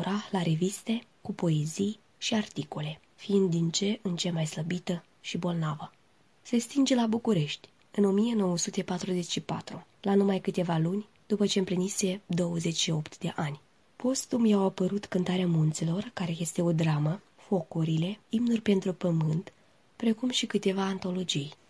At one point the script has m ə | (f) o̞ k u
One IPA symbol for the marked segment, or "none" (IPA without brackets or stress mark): f